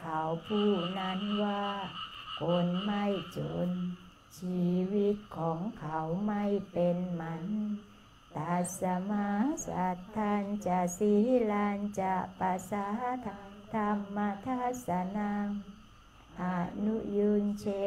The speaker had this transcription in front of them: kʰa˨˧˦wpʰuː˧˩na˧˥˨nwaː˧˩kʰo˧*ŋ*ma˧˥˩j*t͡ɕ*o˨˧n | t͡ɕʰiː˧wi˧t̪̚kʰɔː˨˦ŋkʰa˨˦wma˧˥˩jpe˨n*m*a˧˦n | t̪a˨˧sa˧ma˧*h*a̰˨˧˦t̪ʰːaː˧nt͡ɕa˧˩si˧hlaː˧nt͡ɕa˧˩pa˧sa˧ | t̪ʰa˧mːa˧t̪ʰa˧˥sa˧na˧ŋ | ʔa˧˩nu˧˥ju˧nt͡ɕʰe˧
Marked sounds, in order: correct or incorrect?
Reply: incorrect, correct, correct, incorrect

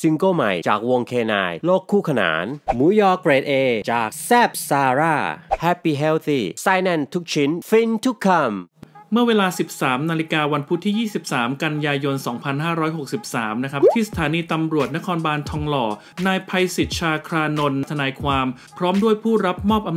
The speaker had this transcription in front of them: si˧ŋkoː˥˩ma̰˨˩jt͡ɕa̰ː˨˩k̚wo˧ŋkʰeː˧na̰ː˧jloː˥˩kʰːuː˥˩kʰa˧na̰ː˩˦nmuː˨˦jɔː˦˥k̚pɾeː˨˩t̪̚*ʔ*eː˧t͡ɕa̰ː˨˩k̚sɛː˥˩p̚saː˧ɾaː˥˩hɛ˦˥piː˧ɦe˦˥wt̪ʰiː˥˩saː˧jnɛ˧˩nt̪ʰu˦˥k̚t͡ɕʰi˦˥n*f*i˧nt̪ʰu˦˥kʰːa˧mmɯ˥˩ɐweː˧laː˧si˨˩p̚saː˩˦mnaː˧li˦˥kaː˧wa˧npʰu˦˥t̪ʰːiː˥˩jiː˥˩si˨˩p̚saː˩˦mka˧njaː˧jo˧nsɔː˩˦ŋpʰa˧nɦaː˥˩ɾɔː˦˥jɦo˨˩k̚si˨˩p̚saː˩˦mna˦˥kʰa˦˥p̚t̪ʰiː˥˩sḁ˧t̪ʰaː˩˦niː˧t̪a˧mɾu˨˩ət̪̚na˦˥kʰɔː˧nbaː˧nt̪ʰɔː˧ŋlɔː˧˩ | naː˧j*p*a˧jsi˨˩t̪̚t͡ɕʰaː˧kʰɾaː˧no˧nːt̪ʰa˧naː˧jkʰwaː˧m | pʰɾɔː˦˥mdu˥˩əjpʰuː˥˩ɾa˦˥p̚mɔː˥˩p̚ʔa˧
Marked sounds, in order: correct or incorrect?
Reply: correct, correct, incorrect

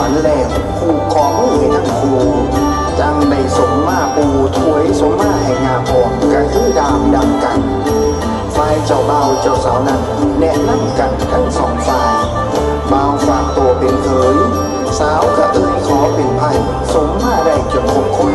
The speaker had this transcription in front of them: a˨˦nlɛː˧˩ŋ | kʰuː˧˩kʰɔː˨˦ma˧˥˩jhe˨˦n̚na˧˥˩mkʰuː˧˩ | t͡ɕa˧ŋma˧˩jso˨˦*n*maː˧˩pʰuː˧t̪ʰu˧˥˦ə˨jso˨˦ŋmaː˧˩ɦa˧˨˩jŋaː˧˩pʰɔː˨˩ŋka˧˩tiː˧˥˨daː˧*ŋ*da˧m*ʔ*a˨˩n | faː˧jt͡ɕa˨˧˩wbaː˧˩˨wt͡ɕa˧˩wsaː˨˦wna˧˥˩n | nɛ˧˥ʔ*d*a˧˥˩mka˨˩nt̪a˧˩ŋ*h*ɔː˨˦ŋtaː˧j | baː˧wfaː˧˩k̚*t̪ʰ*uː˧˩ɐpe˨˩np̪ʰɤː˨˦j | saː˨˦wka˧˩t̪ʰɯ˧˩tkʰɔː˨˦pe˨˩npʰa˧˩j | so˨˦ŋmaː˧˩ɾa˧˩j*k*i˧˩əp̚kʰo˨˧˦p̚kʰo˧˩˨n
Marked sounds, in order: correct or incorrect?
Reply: incorrect, incorrect, incorrect, incorrect, incorrect, incorrect, correct

